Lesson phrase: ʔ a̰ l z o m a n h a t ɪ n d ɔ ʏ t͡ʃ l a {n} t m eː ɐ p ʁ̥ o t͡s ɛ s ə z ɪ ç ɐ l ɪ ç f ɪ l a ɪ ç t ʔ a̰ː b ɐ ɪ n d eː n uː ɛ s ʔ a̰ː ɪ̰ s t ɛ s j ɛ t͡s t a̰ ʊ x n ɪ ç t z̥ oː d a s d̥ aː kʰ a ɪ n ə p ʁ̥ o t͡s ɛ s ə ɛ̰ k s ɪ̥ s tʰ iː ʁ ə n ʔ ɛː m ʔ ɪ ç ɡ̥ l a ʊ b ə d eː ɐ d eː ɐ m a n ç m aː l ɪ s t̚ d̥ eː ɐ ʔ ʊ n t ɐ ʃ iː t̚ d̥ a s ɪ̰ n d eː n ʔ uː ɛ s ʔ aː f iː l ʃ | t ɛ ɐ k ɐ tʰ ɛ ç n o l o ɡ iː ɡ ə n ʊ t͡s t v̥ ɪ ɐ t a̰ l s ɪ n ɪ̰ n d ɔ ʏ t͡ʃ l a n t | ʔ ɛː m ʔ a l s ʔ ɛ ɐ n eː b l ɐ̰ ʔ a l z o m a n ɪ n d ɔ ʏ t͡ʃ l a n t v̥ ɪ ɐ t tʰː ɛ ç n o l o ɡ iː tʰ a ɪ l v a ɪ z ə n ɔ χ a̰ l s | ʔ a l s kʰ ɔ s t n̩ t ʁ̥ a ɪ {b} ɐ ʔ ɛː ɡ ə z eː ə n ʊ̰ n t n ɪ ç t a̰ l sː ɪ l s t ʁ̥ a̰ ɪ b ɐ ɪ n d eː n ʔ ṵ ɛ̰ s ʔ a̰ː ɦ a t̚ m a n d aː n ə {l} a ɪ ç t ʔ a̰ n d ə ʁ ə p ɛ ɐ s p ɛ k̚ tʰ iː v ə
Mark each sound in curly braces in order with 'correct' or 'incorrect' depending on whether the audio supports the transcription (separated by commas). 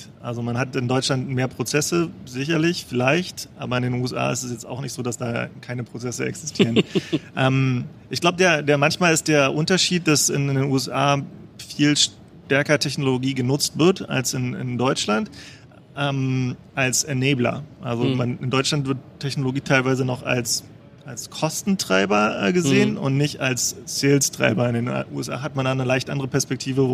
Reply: correct, correct, correct